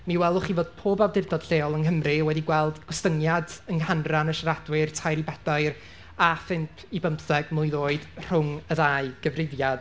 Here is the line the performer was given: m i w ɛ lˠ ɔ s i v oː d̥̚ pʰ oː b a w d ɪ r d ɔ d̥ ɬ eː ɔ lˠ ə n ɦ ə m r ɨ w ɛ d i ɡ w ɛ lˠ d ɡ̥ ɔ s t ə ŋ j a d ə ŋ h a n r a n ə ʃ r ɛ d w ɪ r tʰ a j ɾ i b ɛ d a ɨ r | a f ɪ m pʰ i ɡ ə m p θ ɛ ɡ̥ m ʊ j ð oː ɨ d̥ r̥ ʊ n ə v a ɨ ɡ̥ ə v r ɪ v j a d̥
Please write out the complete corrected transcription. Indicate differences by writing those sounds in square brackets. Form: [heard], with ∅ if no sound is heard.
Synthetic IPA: m i w ɛ lˠ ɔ [χ] i v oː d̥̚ pʰ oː b a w d ɪ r d ɔ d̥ ɬ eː ɔ lˠ ə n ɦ ə m r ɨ w ɛ d i ɡ w ɛ lˠ d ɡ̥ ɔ s t ə ŋ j a d ə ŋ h a n r a n ə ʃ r [a] d w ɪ r tʰ a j ɾ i b ɛ d a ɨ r | a f ɪ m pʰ i [b] ə m p θ ɛ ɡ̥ m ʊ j ð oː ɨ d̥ r̥ ʊ [ŋ] ə [ð] a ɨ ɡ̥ ə v r ɪ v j a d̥